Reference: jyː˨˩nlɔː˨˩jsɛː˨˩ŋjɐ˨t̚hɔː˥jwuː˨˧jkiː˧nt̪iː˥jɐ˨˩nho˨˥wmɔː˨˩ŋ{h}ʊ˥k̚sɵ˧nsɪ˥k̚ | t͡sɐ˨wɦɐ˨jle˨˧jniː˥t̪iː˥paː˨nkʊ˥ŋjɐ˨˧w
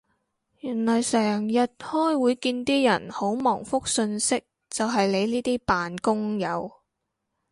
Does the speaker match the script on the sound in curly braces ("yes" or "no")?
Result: no